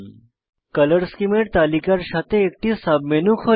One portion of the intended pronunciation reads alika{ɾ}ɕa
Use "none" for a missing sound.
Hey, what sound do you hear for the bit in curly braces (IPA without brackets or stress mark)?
ɾ